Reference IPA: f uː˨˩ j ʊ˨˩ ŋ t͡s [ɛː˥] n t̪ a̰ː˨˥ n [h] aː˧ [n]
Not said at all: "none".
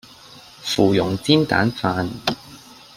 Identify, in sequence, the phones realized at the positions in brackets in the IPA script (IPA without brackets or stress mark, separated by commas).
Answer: iː˥, f, n